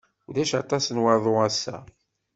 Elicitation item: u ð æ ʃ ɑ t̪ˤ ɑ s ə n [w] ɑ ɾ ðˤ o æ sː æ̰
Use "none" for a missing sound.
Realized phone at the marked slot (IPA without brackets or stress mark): w